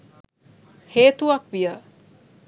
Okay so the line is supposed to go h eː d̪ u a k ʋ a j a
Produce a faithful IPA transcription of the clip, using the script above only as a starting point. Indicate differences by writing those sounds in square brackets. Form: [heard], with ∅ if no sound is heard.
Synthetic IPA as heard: h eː [t̪] u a k ʋ [i] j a